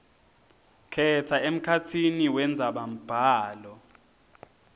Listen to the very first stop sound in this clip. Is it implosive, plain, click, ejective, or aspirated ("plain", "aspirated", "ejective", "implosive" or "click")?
aspirated